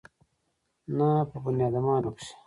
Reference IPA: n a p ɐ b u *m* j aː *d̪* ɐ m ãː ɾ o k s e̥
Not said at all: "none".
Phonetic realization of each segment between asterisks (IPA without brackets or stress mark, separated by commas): n, d̪